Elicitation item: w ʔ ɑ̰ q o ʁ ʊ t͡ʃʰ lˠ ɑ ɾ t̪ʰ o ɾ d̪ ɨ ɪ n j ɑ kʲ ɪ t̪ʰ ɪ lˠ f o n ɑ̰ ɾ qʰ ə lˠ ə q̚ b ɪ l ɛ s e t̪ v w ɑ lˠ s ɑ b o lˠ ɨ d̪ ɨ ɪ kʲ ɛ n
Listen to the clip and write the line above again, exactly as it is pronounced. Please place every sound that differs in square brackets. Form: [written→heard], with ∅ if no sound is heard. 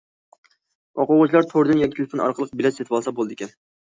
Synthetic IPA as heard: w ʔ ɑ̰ q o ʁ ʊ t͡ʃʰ lˠ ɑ ɾ t̪ʰ o ɾ d̪ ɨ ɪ n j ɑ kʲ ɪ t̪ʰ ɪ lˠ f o n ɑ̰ ɾ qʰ ə lˠ ə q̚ b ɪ l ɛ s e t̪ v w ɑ lˠ s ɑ b o lˠ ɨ d̪ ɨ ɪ kʲ ɛ n